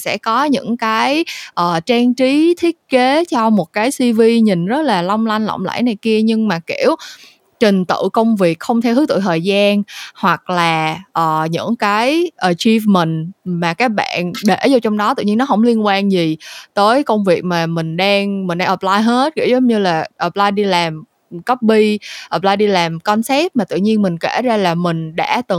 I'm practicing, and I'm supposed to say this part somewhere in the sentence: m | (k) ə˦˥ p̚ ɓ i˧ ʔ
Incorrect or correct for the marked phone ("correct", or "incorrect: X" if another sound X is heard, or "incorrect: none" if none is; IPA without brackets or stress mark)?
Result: correct